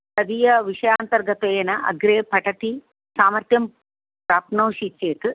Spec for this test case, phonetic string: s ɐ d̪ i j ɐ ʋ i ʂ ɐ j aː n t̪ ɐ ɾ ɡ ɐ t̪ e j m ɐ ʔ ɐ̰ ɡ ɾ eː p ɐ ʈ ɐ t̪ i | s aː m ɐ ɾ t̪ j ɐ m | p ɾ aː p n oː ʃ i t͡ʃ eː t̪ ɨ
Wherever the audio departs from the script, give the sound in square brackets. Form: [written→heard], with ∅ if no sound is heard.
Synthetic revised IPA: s ɐ d̪ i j ɐ ʋ i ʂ ɐ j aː n t̪ ɐ ɾ ɡ ɐ t̪ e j [m→n] ɐ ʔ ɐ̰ ɡ ɾ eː p ɐ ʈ ɐ t̪ i | s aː m ɐ ɾ t̪ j ɐ m | p ɾ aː p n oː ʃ i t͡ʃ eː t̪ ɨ